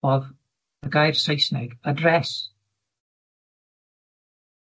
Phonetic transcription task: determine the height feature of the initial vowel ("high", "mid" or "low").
mid